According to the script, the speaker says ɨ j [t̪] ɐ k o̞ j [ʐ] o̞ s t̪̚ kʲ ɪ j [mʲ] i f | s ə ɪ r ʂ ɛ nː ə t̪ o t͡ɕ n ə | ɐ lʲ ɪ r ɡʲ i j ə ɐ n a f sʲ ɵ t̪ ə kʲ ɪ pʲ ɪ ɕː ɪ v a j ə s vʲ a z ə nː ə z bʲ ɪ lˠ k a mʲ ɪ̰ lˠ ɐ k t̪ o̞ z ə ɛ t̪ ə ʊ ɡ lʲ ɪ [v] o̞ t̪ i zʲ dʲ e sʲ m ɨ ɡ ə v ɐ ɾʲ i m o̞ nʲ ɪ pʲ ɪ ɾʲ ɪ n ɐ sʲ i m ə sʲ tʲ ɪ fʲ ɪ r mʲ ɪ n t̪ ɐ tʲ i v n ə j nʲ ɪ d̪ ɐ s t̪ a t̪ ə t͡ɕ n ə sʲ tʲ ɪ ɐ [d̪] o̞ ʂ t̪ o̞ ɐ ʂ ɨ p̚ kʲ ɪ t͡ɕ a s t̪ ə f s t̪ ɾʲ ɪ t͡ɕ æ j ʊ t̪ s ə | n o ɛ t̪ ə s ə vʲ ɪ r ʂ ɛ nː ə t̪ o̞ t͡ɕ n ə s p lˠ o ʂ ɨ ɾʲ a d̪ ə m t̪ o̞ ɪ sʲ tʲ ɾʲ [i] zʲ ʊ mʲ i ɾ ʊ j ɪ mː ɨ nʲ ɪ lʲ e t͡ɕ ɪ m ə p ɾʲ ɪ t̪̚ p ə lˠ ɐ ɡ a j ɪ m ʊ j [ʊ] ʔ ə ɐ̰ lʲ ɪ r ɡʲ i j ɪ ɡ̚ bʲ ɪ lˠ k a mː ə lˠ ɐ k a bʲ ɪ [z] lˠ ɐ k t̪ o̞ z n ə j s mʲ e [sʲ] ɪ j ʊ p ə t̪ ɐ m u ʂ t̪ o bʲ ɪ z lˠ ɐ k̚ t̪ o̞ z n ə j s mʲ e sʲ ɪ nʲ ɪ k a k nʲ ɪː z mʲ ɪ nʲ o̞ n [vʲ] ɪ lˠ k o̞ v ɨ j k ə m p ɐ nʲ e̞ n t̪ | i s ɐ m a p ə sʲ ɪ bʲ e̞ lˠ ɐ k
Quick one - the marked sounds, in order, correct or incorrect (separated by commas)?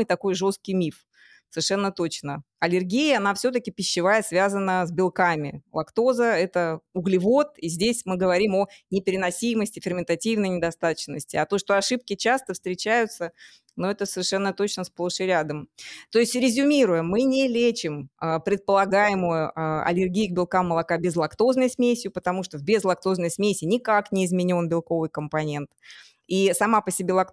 correct, correct, correct, correct, incorrect, incorrect, correct, correct, correct, incorrect